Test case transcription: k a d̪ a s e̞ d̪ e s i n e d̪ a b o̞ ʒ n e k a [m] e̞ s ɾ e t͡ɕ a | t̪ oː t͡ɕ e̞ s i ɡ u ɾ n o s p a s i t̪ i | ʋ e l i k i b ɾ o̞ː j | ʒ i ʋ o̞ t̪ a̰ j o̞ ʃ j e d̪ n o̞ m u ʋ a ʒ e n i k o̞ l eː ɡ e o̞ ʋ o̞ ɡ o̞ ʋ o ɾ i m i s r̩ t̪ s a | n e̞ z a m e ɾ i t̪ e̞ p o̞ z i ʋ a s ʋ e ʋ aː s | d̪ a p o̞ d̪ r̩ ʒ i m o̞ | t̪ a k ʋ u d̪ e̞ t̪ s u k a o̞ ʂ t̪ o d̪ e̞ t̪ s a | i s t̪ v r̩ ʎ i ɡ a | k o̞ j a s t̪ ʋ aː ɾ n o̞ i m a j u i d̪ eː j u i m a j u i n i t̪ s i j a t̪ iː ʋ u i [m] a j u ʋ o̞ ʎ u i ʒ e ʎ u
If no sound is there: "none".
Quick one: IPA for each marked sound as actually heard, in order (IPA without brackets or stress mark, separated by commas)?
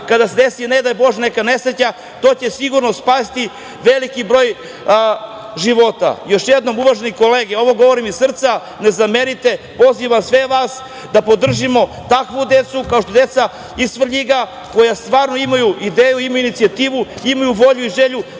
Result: n, m